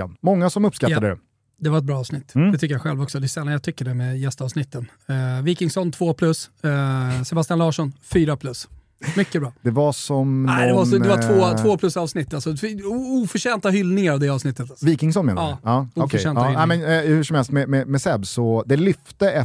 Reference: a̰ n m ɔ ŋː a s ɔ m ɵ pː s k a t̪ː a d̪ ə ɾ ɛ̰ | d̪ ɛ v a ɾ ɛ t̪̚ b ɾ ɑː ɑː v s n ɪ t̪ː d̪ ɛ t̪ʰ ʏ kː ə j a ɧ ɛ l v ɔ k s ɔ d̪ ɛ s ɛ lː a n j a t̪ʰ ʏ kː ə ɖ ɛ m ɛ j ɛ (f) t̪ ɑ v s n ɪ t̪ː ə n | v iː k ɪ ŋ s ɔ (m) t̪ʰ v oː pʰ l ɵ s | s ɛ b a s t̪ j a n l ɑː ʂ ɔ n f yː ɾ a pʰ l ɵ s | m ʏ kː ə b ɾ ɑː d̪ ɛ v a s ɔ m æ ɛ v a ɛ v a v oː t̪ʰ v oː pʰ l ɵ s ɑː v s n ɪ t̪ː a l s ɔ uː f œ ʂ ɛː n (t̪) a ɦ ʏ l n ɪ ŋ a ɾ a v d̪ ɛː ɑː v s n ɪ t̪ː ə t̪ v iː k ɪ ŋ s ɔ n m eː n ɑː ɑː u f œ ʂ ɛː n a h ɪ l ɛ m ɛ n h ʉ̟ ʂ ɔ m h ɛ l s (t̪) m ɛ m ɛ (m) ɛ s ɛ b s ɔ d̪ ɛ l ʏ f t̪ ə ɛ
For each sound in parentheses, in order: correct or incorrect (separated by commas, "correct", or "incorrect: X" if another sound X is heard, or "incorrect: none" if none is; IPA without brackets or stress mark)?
incorrect: s, incorrect: n, correct, correct, correct